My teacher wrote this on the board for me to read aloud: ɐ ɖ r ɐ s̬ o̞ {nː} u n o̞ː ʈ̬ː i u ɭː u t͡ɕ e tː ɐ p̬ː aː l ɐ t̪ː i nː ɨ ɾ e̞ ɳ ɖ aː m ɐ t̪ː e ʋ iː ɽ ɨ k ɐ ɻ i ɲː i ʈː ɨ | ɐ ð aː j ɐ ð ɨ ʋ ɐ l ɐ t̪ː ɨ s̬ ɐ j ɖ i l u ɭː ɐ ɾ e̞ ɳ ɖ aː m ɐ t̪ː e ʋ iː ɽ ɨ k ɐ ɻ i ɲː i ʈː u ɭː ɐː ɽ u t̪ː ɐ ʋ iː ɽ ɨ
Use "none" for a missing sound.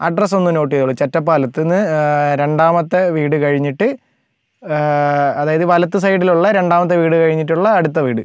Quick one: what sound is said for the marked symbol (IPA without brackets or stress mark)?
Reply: nː